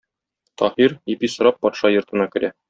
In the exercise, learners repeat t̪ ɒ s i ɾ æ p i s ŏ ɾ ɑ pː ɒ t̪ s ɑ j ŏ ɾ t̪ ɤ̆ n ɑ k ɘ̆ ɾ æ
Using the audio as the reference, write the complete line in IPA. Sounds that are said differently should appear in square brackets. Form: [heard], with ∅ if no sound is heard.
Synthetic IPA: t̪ ɒ [h] i ɾ [i] p i s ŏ ɾ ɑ pː ɒ t̪ [ʃ] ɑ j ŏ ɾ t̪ ɤ̆ n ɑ k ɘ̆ ɾ æ